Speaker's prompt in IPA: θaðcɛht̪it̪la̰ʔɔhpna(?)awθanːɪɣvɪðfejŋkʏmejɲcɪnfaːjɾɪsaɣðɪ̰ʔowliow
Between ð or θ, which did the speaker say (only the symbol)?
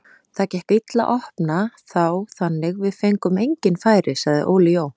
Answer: θ